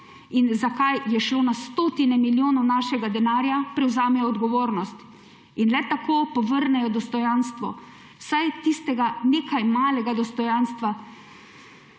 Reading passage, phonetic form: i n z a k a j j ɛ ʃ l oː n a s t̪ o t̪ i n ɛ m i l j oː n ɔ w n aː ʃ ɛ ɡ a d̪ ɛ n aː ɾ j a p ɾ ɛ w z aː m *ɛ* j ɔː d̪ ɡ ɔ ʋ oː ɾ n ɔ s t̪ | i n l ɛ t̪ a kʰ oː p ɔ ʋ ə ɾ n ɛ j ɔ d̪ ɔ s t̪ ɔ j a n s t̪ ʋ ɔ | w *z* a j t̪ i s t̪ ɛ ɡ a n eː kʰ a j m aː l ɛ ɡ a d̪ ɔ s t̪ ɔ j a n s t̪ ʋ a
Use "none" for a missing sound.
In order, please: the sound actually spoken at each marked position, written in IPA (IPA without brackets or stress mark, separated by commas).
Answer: ɛ, s